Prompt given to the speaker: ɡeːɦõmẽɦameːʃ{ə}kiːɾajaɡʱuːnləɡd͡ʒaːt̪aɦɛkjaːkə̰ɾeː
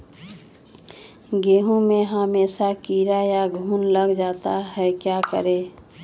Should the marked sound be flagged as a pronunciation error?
yes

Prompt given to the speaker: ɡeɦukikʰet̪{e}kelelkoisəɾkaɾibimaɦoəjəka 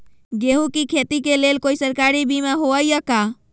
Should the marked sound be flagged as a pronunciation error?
yes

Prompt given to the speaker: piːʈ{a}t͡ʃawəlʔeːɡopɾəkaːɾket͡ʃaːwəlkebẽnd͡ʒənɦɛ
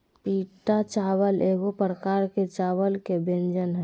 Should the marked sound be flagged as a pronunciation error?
no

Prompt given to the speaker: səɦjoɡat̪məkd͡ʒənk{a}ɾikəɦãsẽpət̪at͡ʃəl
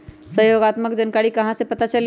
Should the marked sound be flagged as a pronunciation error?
no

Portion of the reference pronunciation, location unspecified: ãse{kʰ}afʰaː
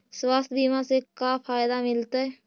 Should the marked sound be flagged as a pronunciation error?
yes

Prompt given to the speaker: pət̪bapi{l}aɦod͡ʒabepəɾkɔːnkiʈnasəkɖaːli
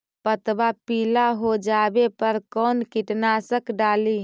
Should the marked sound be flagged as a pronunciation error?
no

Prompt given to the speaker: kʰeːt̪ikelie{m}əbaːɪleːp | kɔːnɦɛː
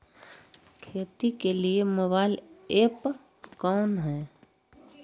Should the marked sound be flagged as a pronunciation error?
no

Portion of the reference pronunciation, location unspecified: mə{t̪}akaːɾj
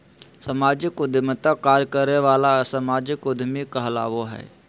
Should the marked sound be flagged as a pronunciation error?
no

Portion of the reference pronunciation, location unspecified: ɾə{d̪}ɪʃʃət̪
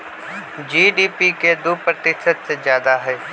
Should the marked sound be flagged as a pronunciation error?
yes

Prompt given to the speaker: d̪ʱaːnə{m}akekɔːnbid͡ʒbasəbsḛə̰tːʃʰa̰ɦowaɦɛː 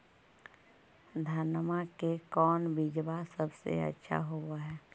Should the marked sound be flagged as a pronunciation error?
no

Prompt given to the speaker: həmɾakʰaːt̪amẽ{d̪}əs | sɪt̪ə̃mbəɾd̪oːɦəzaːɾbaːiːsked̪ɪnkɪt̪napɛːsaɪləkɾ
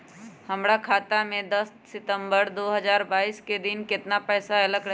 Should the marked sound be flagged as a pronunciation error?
no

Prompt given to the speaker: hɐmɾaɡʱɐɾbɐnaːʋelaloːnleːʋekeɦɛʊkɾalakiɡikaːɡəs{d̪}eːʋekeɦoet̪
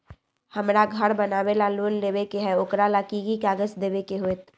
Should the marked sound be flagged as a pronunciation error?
no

